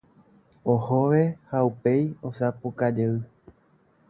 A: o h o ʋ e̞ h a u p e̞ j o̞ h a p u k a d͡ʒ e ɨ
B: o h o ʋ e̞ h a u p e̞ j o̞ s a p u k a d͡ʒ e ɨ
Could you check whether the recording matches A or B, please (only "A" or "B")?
B